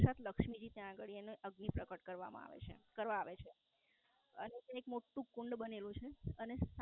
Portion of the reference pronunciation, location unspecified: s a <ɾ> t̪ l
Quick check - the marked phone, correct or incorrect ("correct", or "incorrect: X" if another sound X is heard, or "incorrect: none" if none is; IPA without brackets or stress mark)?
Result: incorrect: none